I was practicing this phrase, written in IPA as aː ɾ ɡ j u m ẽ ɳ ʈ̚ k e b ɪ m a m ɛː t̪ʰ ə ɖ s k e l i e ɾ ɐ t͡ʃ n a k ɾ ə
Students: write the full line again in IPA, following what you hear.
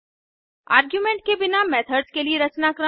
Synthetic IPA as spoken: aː ɾ ɡ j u m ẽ ɳ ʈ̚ k e b ɪ n a m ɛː t̪ʰ ə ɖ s k e l i e ɾ ɐ t͡ʃ n a k ɾ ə